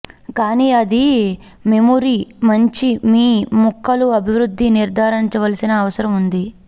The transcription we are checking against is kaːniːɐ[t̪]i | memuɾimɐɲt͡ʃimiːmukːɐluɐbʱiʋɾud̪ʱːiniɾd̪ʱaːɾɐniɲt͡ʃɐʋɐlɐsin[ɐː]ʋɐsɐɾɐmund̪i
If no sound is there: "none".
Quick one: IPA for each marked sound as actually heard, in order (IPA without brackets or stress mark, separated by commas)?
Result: d̪, ɐː